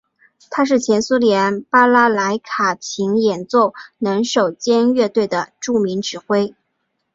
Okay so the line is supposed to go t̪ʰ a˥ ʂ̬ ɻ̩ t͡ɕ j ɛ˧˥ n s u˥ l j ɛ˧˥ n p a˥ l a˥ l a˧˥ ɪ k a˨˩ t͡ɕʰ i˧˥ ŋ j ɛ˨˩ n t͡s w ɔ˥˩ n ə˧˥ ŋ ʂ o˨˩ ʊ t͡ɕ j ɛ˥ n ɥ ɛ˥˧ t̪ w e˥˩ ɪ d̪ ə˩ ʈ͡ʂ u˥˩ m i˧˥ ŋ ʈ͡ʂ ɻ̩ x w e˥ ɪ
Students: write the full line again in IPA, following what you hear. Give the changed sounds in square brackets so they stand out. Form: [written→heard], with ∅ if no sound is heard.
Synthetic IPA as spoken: t̪ʰ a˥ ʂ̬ ɻ̩ [t͡ɕ→t͡ɕʰ] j ɛ˧˥ n s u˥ l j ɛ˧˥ n p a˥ l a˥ l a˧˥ ɪ [k→kʰ] a˨˩ t͡ɕʰ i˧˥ ŋ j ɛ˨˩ n t͡s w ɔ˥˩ n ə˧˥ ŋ ʂ o˨˩ ʊ t͡ɕ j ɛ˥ n ɥ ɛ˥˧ t̪ w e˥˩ ɪ d̪ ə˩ ʈ͡ʂ u˥˩ m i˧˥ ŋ ʈ͡ʂ ɻ̩ x w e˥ ɪ